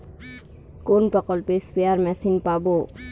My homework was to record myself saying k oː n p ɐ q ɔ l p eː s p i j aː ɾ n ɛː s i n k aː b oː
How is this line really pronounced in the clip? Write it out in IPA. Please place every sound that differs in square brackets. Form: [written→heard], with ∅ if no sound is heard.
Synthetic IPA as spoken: k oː n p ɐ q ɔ l p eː s p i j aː ɾ [n→m] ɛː s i n [k→p] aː b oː